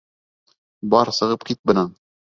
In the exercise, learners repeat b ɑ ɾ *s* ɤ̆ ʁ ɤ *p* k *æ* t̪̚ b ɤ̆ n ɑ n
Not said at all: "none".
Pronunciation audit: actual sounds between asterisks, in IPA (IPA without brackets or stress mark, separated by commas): s, p, i